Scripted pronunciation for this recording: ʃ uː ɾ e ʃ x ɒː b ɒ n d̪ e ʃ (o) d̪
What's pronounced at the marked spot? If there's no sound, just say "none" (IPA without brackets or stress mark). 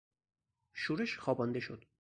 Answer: o